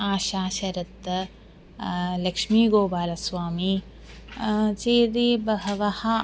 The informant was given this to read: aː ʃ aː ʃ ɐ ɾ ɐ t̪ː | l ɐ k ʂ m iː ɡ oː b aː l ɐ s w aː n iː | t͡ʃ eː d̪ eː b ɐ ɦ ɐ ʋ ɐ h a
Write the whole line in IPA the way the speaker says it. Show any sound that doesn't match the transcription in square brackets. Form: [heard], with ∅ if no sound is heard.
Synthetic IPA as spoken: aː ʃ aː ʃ ɐ ɾ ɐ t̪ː | l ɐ k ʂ m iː ɡ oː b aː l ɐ s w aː [m] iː | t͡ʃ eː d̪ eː b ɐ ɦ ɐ ʋ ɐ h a